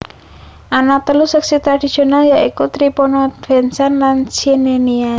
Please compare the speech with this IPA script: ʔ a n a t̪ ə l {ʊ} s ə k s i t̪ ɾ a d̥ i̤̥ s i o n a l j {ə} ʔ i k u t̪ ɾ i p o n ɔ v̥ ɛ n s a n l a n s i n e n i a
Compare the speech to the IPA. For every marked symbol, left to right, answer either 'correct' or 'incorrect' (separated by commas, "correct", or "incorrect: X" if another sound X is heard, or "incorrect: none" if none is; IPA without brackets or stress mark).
incorrect: u, incorrect: a